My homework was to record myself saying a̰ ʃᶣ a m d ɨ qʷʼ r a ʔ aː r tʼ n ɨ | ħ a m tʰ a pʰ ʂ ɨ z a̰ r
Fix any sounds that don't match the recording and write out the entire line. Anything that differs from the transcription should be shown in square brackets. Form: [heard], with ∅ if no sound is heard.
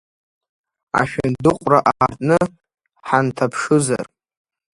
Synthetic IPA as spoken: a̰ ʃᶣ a [n] d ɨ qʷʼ r a ʔ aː r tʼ n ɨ | ħ a [n] tʰ a pʰ ʂ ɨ z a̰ r